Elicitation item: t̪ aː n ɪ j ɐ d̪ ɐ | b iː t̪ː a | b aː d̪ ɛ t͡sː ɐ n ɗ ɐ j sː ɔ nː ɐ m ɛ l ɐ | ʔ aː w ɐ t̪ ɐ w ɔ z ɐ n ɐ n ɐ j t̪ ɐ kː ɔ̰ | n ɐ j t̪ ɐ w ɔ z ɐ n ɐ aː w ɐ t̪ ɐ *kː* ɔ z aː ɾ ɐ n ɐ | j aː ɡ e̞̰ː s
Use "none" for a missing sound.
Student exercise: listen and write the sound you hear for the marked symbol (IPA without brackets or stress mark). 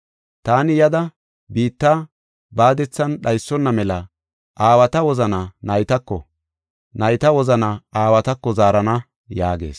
kː